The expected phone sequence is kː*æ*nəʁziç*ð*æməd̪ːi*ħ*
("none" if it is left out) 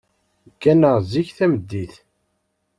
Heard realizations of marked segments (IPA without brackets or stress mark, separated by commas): æ, θ, θ